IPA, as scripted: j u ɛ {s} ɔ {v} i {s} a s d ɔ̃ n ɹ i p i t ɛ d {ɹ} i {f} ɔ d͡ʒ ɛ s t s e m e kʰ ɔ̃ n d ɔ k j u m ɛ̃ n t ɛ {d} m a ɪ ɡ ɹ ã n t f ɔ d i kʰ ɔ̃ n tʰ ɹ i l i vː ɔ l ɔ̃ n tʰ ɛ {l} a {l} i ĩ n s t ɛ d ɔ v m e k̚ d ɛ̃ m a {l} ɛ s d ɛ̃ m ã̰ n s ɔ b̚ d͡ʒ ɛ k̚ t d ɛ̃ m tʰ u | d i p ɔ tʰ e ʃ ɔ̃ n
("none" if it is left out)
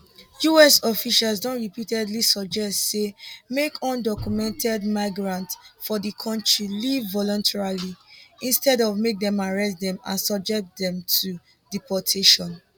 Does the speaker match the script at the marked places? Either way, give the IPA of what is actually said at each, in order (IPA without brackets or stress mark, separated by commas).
s, f, ʃ, l, s, d, ɹ, l, ɹ